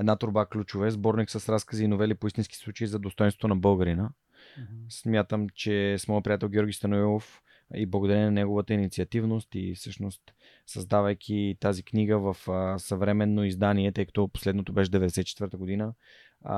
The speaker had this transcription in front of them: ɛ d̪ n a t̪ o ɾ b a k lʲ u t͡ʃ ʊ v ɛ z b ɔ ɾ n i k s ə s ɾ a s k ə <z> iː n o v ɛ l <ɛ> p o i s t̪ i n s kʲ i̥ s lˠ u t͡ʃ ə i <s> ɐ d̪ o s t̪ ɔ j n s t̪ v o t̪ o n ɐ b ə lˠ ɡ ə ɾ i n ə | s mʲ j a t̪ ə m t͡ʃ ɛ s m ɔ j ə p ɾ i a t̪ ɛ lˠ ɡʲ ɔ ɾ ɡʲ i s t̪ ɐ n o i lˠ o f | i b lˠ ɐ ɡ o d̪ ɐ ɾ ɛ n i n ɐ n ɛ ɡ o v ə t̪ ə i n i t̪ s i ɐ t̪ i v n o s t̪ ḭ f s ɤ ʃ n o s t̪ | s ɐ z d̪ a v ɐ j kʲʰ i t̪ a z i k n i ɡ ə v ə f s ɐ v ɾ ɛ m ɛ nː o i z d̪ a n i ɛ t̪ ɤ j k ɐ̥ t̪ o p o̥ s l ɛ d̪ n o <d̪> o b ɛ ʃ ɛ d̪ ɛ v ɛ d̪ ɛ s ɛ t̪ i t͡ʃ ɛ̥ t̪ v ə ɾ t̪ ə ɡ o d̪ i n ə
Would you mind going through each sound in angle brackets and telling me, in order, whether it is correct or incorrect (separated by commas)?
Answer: correct, incorrect, incorrect, incorrect